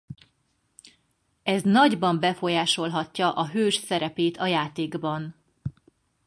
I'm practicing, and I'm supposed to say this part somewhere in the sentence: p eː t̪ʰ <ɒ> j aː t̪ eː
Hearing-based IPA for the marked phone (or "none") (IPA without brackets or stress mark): ɒ